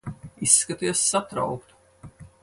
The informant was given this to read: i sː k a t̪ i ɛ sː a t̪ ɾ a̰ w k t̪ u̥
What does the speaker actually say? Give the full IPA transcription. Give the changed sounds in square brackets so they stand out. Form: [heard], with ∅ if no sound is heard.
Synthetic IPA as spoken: i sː k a t̪ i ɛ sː a t̪ ɾ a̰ w k t̪ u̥